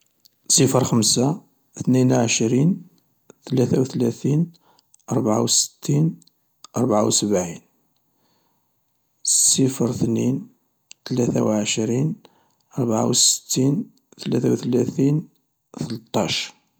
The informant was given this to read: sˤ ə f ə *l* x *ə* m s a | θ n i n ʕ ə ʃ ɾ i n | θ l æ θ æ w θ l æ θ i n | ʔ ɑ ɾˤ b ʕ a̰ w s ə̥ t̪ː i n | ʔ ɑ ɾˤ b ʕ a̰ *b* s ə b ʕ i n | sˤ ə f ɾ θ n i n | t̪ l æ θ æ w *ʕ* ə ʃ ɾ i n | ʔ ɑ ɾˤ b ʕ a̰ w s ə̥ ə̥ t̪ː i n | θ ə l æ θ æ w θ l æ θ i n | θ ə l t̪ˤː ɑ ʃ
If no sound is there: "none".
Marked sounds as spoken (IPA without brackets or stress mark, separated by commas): ɾ, ə, w, ʕ